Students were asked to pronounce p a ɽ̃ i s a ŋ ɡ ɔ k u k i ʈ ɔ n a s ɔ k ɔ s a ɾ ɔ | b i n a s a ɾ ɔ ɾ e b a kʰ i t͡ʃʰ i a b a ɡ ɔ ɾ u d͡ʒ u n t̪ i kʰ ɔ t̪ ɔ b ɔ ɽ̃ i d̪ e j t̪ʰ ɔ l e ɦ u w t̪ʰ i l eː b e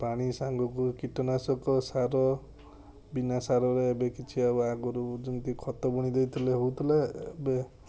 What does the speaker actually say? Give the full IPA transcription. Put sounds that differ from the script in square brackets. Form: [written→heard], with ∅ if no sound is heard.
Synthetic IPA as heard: p a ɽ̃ i s a ŋ ɡ ɔ k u k i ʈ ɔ n a s ɔ k ɔ s a ɾ ɔ | b i n a s a ɾ ɔ ɾ e b [a→e] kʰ i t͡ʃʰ i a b a ɡ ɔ ɾ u d͡ʒ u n t̪ i kʰ ɔ t̪ ɔ b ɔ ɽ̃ i d̪ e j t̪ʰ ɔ l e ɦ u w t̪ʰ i l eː b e